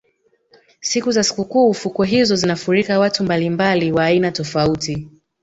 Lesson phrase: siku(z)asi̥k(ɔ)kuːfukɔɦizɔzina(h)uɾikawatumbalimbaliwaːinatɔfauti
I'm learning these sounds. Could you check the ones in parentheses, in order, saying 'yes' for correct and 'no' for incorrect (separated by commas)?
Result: yes, no, no